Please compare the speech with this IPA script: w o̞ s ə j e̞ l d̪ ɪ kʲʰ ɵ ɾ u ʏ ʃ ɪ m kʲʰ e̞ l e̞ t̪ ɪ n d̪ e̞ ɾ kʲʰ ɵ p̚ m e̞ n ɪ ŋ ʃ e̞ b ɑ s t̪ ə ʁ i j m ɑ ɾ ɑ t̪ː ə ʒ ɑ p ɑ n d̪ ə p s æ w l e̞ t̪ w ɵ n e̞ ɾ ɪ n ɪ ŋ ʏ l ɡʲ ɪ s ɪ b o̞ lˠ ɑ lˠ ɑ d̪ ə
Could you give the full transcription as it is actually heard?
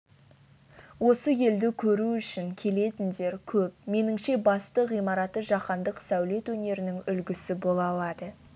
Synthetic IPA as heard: w o̞ s ə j e̞ l d̪ ɪ kʲʰ ɵ ɾ u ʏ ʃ ɪ ŋ kʲʰ e̞ l e̞ t̪ ɪ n d̪ e̞ ɾ kʲʰ ɵ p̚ m e̞ n ɪ ŋ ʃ e̞ b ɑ s t̪ ə ʁ i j m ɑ ɾ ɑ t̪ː ə ʒ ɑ q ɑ n d̪ ə q s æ w l e̞ t̪ w ɵ n e̞ ɾ ɪ n ɪ ŋ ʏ l ɡʲ ɪ s ɪ b o̞ lˠ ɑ lˠ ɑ d̪ ə